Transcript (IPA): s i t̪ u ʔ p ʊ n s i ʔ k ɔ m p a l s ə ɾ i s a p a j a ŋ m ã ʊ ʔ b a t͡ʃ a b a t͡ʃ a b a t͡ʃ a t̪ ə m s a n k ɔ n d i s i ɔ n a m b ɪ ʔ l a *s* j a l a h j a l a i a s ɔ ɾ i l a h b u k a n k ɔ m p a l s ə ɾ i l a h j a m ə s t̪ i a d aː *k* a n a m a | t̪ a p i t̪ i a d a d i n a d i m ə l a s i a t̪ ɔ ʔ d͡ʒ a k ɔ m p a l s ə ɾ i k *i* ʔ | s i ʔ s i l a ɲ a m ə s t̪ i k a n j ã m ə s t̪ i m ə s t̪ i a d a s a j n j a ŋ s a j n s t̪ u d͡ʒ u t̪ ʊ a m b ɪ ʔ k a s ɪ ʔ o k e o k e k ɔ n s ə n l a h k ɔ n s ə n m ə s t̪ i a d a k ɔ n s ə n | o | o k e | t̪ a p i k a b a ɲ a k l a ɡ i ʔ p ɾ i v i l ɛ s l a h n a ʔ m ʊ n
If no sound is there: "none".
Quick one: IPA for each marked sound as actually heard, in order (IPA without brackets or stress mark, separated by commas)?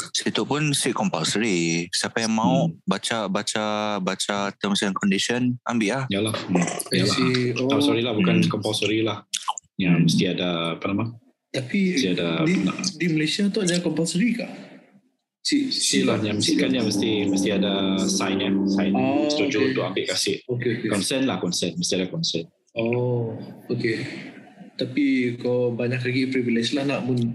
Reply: h, p, a